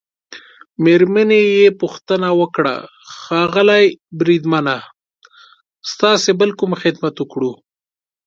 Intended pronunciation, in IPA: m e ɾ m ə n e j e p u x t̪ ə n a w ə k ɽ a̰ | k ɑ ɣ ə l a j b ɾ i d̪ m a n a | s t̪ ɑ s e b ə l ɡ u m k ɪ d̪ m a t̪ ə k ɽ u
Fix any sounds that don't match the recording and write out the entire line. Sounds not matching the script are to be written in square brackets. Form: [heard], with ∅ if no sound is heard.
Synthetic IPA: m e ɾ m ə n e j e p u x t̪ ə n a w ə k ɽ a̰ | [x] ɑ ɣ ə l a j b ɾ i d̪ m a n a | s t̪ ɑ s e b ə l [k] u m [x] ɪ d̪ m a t̪ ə k ɽ u